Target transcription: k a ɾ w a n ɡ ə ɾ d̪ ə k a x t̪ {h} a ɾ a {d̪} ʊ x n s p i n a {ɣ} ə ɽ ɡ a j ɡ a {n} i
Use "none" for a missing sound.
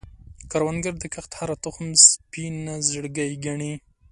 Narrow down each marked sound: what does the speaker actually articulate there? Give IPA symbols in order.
h, t̪, z, ɳ

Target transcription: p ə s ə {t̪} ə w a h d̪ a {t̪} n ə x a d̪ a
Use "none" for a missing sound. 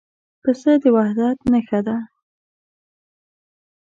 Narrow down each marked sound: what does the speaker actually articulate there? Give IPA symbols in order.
d̪, t̪

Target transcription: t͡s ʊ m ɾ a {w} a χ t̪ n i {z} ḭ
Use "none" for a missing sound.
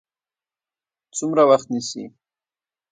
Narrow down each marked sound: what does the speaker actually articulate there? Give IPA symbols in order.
w, s

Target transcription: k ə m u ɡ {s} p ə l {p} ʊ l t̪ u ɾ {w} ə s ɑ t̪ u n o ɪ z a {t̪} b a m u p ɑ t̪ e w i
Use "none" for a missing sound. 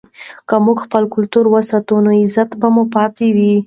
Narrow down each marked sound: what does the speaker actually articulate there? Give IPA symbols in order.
x, k, w, t̪

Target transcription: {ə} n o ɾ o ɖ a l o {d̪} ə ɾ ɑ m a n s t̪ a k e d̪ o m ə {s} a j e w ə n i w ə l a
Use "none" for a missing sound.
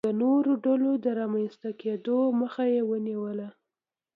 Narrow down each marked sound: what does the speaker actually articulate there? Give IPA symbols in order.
ə, d̪, x

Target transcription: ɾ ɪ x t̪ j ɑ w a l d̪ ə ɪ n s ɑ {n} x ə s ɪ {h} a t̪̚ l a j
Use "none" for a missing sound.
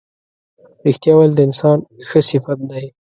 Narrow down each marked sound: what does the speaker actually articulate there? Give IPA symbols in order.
n, f

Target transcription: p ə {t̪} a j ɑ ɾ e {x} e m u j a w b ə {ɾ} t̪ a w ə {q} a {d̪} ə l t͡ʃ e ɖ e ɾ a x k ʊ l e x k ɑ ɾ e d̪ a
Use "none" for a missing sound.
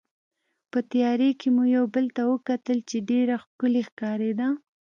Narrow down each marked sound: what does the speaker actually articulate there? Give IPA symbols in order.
t̪, k, l, k, t̪

